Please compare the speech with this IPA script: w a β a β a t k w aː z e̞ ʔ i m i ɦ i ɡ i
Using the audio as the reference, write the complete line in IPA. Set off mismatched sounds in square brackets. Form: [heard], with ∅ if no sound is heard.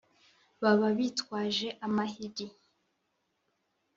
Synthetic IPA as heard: [β] a β a β [i] t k w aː [ʒ] e̞ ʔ [a] m [a] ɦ i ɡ i